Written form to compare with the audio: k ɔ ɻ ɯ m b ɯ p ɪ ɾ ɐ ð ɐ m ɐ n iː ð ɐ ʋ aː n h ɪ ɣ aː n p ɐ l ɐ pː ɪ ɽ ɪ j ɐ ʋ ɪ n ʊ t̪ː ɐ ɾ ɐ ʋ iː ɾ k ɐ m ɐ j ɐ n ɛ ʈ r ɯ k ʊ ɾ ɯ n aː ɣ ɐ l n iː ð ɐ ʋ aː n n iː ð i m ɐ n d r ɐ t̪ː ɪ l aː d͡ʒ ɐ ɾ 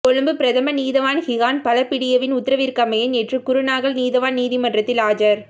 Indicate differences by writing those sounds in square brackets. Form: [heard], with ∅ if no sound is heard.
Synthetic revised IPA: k ɔ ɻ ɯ m b ɯ p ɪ ɾ ɐ ð ɐ m ɐ n iː ð ɐ ʋ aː n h ɪ ɣ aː n p ɐ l ɐ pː ɪ ɽ ɪ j ɐ ʋ ɪ n ʊ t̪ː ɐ ɾ ɐ ʋ iː ɾ k ɐ m ɐ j ɐ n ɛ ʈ r ɯ k ʊ ɾ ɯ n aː ɣ ɐ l n iː ð ɐ ʋ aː n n iː ð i m ɐ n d r ɐ t̪ː ɪ l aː d͡ʒ ɐ ɾ